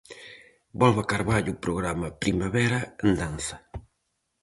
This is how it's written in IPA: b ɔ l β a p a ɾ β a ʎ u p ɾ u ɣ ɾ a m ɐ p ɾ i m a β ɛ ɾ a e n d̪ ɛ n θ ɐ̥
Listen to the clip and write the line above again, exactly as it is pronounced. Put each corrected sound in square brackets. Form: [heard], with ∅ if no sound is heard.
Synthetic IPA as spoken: b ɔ l β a [k] a ɾ β a ʎ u p ɾ [o] ɣ ɾ a m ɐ p ɾ i m a β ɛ ɾ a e n d̪ [a] n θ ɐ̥